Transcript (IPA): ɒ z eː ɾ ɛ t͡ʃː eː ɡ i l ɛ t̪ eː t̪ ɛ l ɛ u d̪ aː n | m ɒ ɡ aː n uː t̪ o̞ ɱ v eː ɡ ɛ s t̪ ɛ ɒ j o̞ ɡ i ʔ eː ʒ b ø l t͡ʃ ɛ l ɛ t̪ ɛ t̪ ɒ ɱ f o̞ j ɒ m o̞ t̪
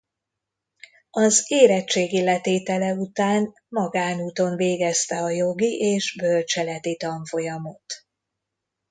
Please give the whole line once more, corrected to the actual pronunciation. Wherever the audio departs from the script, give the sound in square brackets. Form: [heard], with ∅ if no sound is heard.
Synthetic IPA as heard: ɒ z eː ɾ ɛ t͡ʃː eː ɡ i l ɛ t̪ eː t̪ ɛ l ɛ u [t̪] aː n | m ɒ ɡ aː n uː t̪ o̞ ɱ v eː ɡ ɛ s t̪ ɛ ɒ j o̞ ɡ i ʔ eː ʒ b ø l t͡ʃ ɛ l ɛ t̪ [i] t̪ ɒ ɱ f o̞ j ɒ m o̞ t̪